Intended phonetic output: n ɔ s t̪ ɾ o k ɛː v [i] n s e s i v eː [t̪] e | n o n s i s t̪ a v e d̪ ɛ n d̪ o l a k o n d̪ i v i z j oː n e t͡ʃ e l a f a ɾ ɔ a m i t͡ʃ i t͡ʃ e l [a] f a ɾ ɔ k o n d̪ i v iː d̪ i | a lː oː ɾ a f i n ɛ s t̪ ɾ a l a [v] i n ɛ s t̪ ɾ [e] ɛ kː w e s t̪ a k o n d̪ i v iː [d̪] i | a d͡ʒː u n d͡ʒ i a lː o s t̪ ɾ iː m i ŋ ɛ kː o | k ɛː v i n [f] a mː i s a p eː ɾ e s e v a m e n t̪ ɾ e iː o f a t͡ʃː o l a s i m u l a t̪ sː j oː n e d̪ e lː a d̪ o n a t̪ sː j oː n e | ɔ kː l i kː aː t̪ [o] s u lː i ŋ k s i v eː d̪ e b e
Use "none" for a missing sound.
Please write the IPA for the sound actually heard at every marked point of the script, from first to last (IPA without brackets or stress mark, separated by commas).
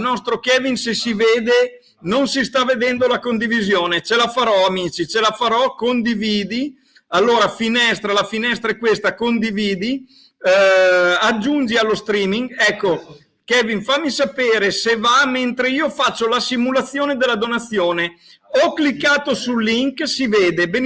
i, d̪, a, f, a, d̪, f, o